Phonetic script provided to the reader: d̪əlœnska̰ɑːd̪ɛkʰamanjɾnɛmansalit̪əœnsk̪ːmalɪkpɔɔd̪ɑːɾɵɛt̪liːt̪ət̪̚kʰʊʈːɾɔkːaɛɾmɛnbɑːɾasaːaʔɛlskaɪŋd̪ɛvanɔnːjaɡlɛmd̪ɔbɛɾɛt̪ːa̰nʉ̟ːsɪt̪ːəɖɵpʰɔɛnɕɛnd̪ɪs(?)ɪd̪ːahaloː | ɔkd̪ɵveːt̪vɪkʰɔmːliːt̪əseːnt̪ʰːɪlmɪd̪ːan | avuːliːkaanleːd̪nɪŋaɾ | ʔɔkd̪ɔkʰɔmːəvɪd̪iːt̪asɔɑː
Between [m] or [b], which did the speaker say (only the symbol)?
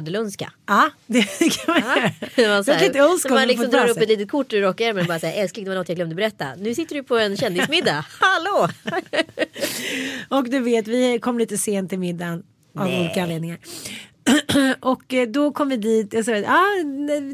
m